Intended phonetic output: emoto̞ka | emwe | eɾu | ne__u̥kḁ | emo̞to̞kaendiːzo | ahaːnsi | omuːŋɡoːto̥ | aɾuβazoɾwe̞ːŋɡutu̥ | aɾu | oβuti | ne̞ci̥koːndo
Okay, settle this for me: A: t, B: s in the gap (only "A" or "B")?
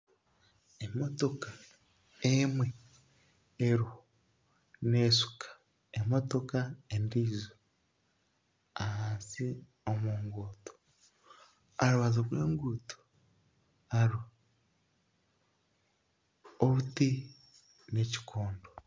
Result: B